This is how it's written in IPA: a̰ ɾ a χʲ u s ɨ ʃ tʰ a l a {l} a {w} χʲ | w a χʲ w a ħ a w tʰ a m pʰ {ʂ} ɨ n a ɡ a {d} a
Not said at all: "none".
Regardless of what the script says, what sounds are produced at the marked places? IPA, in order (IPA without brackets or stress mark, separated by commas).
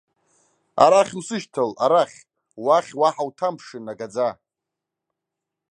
ɾ, none, ʂ, d͡z